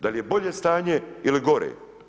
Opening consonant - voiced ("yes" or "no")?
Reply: yes